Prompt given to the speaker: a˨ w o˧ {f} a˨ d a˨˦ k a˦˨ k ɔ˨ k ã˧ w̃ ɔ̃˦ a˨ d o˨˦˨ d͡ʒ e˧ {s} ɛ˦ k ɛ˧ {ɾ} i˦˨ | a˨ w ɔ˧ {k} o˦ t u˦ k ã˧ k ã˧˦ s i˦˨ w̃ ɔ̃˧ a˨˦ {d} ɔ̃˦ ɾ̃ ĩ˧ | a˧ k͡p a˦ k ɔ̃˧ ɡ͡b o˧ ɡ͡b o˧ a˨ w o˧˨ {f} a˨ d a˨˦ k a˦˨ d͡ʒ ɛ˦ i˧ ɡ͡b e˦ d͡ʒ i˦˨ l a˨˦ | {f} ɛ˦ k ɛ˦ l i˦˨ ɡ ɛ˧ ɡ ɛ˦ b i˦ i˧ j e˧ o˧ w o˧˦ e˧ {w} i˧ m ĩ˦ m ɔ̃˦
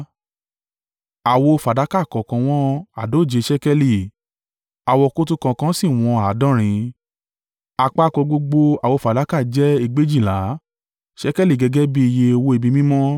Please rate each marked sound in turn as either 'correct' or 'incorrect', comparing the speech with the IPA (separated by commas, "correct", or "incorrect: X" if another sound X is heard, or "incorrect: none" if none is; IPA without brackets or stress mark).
correct, incorrect: ʃ, incorrect: l, correct, correct, correct, incorrect: ʃ, incorrect: b